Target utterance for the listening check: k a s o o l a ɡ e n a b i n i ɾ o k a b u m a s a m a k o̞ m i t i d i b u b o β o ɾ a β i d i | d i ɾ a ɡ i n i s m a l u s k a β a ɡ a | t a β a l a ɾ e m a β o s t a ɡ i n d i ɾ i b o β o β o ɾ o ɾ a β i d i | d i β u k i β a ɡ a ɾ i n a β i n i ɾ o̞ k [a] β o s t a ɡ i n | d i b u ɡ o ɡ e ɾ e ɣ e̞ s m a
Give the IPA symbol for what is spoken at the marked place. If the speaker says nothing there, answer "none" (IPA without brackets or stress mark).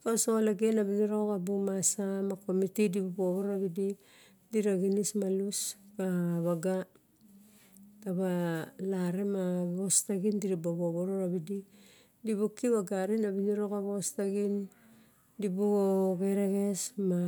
a